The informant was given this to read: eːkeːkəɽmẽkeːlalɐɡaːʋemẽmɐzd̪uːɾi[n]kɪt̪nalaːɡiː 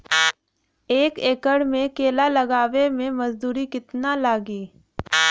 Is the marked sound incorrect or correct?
incorrect